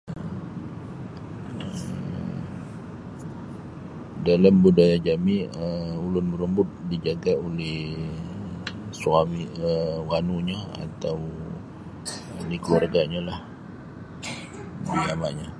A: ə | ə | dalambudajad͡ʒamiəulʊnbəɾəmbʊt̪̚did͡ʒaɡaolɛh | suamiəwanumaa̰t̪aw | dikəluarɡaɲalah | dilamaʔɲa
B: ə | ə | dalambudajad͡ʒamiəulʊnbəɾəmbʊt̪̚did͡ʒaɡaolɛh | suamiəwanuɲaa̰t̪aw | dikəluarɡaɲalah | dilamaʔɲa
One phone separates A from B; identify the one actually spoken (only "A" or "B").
B